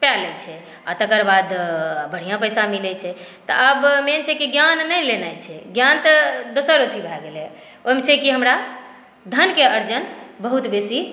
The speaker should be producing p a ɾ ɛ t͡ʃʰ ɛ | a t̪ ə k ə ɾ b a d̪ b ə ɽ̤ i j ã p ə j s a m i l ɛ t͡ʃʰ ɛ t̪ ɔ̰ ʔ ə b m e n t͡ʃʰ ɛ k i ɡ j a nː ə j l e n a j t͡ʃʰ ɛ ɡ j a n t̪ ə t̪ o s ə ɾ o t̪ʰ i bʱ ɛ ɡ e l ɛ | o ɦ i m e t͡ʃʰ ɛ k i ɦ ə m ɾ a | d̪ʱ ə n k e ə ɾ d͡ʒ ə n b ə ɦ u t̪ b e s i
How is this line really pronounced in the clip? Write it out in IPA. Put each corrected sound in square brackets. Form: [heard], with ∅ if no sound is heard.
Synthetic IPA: p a [l] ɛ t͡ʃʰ ɛ | a t̪ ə k ə ɾ b a d̪ b ə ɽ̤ i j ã p ə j s a m i l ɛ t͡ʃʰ ɛ t̪ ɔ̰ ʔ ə b m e n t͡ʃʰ ɛ k i ɡ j a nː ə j l e n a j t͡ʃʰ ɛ ɡ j a n t̪ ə [d̪] o s ə ɾ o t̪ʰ i bʱ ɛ ɡ e l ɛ | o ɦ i m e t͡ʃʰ ɛ k i ɦ ə m ɾ a | d̪ʱ ə n k e ə ɾ d͡ʒ ə n b ə ɦ u t̪ b e s i